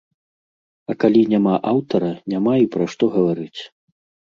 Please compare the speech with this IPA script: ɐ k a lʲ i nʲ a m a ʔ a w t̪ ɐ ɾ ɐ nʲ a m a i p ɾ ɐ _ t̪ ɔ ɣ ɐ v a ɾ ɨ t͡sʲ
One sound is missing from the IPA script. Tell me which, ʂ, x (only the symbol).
ʂ